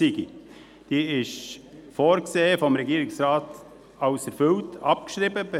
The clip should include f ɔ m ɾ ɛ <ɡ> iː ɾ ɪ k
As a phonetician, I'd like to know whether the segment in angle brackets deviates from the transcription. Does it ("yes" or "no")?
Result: no